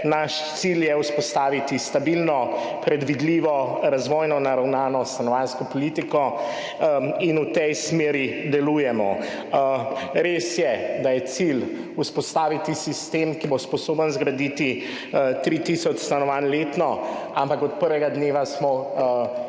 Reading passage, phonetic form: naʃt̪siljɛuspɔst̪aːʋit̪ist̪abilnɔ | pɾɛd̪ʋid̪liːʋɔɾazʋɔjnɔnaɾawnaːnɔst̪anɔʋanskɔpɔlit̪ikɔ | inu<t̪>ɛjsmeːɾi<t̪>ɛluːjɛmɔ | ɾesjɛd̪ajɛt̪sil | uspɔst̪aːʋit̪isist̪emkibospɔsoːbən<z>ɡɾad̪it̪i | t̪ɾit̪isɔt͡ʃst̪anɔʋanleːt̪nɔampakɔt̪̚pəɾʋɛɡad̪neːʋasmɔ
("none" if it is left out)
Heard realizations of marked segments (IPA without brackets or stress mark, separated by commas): t̪, d̪, z